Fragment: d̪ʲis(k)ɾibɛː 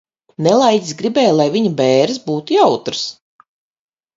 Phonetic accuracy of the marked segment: incorrect: ɡ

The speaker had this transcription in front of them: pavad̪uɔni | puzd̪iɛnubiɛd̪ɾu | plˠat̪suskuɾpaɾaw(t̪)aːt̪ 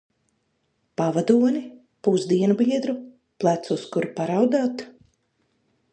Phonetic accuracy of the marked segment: incorrect: d̪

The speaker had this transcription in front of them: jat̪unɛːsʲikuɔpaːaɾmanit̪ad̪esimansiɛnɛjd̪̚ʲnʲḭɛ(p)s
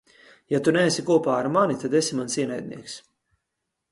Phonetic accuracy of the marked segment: incorrect: k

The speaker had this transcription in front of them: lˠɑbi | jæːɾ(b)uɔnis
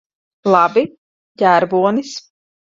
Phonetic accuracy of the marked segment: correct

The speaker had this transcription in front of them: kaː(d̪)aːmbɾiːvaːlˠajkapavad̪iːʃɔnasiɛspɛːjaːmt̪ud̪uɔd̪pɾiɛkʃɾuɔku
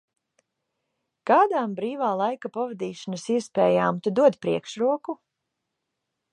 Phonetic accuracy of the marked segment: correct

